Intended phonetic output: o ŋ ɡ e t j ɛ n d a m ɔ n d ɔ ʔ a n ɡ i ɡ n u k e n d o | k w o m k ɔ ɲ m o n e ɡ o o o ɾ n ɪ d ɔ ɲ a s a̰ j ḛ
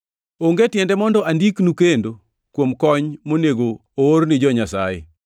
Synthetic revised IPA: o ŋ ɡ e t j ɛ n d ɛ m ɔ n d ɔ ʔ a n d i k n u k e n d o | k w o m k ɔ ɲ m o n e ɡ o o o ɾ n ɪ d͡ʒ ɔ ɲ a s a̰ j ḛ